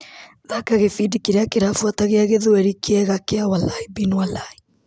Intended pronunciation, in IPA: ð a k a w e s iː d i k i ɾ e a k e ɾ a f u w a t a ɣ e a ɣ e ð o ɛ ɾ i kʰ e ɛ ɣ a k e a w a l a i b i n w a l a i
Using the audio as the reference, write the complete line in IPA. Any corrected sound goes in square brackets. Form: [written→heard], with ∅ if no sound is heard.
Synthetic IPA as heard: ð a k a [w→ɣ] e [s→f] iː d i k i ɾ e a k e ɾ a f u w a t a ɣ e a ɣ e ð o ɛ ɾ i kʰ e ɛ ɣ a k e a w a l a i b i n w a l a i